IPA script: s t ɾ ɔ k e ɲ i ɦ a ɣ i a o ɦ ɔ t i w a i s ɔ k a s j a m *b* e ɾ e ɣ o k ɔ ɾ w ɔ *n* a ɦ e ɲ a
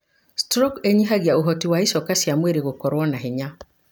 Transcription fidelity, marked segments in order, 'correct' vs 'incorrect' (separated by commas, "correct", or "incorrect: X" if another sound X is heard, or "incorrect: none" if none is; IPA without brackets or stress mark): incorrect: w, correct